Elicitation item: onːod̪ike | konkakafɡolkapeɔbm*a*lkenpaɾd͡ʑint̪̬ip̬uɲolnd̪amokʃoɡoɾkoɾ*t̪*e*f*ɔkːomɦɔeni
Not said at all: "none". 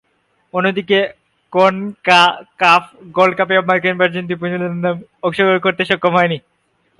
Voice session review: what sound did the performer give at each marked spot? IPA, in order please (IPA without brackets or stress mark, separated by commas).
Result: a, t̪, ʃ